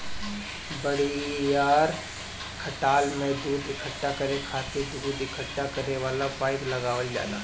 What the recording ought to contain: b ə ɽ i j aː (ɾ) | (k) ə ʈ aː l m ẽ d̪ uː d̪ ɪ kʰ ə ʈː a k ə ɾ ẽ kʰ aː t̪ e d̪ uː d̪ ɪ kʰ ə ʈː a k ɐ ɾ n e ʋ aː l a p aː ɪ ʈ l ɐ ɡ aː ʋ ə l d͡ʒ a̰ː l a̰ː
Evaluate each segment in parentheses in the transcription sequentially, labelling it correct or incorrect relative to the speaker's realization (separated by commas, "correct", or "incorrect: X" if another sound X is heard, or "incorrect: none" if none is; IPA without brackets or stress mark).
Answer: correct, incorrect: kʰ